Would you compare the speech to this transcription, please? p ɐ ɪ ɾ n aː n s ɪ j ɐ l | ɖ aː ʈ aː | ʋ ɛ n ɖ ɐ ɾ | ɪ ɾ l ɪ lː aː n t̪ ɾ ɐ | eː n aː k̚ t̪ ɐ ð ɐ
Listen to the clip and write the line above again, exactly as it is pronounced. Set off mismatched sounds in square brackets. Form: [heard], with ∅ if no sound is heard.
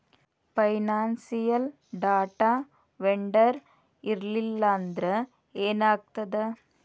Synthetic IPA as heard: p ɐ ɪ [∅] n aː n s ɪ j ɐ l | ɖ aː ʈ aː | ʋ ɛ [ɳ] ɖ ɐ ɾ | ɪ ɾ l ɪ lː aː n [d̪] ɾ ɐ | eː n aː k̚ t̪ ɐ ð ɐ